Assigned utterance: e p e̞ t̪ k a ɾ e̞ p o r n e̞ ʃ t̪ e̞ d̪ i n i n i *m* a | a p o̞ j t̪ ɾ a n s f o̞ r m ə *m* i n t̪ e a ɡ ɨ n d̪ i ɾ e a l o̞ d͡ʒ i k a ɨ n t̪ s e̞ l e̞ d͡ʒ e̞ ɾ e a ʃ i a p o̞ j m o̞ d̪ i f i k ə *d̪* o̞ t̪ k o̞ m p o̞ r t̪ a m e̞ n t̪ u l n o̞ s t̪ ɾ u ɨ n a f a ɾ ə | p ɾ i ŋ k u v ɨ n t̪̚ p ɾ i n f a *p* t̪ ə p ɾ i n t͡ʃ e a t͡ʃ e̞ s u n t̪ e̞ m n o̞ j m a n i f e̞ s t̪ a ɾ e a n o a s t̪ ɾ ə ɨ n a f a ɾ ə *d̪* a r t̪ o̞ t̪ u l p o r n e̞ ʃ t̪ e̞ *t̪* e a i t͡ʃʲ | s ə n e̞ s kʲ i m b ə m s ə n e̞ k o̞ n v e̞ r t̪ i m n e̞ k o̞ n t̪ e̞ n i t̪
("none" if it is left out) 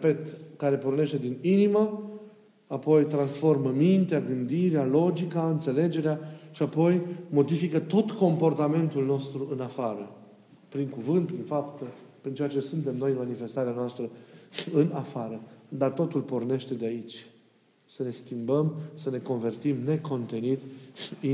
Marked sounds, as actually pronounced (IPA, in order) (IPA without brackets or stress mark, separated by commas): m, m, t̪, p, d̪, d̪